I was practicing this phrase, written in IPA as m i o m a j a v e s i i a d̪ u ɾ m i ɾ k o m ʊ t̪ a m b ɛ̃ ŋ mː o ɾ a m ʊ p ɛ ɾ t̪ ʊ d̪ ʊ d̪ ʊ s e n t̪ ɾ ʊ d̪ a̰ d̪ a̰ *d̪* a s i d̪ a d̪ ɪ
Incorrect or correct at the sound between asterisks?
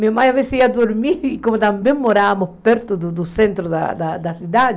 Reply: correct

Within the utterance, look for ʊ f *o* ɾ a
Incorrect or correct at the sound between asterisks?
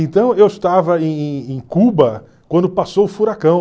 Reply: incorrect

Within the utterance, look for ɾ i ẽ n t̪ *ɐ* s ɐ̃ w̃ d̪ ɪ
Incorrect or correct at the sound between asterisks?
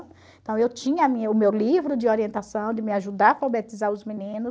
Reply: incorrect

